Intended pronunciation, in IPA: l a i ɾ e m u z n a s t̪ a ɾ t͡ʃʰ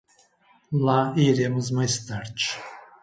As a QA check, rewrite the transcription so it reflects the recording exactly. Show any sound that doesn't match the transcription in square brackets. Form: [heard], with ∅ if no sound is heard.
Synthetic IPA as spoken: l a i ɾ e m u z [m] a s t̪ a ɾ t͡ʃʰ